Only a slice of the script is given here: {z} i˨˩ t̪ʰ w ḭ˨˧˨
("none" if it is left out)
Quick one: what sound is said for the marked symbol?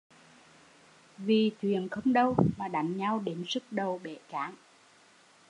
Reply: v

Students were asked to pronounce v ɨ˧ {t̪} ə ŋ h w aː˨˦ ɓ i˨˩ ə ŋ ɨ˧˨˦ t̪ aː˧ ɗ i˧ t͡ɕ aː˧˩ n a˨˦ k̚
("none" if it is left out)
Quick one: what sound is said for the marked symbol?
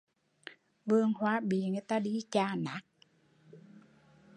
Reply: none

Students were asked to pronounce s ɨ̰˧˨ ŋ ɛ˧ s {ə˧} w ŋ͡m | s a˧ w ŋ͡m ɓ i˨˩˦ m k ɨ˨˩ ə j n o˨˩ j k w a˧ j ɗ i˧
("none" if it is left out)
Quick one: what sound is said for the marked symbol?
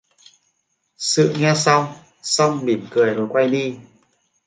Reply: a˧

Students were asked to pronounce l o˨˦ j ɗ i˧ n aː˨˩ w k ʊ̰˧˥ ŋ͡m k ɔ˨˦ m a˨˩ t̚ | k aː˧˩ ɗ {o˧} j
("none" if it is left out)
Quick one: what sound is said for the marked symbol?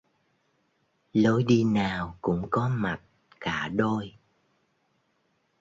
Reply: o˧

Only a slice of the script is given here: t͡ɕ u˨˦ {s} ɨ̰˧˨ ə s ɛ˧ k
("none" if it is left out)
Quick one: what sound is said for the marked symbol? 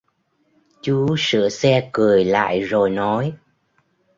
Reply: s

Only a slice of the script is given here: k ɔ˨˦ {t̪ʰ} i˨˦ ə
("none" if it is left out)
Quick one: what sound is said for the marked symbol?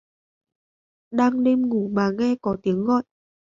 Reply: t̪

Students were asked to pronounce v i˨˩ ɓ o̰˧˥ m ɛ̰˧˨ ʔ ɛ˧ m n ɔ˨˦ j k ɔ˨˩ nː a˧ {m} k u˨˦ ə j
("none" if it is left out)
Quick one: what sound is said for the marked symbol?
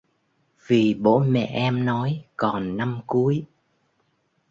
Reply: m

